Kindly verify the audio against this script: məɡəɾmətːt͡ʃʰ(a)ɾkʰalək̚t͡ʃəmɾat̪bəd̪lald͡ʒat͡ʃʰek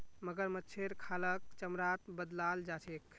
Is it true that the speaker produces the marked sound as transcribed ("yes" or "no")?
no